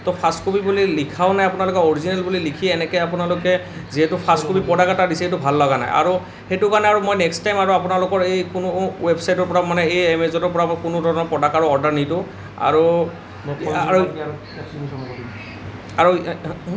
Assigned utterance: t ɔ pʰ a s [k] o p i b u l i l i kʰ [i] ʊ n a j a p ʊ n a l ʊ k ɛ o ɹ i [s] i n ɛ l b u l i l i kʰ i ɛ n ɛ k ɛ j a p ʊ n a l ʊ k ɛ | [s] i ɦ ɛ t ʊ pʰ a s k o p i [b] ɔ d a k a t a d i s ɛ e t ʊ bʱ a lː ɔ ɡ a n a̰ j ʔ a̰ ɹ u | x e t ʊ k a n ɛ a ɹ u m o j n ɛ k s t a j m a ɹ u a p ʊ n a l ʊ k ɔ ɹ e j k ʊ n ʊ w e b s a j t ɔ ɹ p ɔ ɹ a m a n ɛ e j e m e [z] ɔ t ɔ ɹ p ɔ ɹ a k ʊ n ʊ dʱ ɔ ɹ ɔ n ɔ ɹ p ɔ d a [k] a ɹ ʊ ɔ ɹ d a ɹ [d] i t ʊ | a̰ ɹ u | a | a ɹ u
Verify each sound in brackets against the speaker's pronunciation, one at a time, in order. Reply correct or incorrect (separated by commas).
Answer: correct, incorrect, incorrect, incorrect, incorrect, correct, correct, incorrect